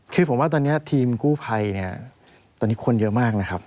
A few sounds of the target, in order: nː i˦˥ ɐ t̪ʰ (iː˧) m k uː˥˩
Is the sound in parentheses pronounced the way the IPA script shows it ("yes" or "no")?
yes